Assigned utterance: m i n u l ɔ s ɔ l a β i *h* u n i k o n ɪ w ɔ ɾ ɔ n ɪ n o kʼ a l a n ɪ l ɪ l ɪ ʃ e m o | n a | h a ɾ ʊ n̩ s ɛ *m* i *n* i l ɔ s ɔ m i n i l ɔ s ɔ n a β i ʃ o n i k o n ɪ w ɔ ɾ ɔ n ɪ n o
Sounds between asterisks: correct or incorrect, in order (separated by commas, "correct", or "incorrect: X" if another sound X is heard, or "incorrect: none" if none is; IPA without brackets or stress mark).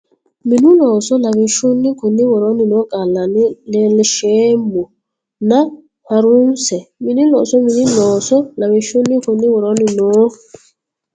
incorrect: ʃ, correct, correct